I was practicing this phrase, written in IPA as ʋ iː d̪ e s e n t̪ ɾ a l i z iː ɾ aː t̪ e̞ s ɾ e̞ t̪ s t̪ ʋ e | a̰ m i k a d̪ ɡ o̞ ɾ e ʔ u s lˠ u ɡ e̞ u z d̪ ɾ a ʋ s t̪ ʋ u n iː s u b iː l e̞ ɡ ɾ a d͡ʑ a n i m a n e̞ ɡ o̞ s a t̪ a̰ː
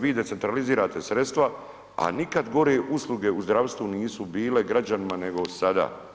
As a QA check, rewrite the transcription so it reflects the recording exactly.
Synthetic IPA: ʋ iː d̪ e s e n t̪ ɾ a l i z iː ɾ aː t̪ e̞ s ɾ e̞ t̪ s t̪ ʋ a | a̰ n i k a d̪ ɡ o̞ ɾ e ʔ u s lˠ u ɡ e̞ u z d̪ ɾ a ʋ s t̪ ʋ u n iː s u b iː l e̞ ɡ ɾ a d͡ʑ a n i m a n e̞ ɡ o̞ s a d̪ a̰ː